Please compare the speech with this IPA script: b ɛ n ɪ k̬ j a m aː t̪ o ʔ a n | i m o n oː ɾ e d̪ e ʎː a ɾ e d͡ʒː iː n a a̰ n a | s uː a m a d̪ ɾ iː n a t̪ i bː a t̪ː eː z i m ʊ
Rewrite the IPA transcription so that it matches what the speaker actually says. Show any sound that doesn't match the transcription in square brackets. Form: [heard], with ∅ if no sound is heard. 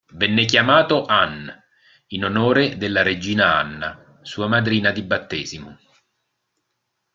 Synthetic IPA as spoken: [v] ɛ [nː] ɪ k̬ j a m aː t̪ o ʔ a n | i [n] o n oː ɾ e d̪ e [lː] a ɾ e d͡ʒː iː n a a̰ [nː] a | s uː a m a d̪ ɾ iː n a [d̪] i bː a t̪ː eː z i m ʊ